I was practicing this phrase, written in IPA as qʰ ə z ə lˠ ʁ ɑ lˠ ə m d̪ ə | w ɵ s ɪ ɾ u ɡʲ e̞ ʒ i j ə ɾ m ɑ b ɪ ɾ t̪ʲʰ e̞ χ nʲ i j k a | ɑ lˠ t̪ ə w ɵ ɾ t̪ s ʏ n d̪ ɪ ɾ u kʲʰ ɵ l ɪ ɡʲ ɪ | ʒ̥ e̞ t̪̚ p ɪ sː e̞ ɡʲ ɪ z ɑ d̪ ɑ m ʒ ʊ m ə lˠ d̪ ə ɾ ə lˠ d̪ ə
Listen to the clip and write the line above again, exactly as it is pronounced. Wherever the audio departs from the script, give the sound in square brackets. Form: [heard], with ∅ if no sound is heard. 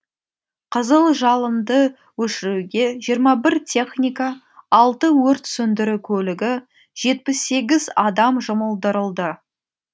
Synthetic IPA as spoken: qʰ ə z ə lˠ [ʒ] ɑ lˠ ə m d̪ ə | w ɵ [ʃ] ɪ ɾ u ɡʲ e̞ ʒ i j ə ɾ m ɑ b ɪ ɾ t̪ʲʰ e̞ χ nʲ i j k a | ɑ lˠ t̪ ə w ɵ ɾ t̪ s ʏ n d̪ ɪ ɾ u kʲʰ ɵ l ɪ ɡʲ ɪ | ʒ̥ e̞ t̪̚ p ɪ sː e̞ ɡʲ ɪ z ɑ d̪ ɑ m ʒ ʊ m ə lˠ d̪ ə ɾ ə lˠ d̪ ə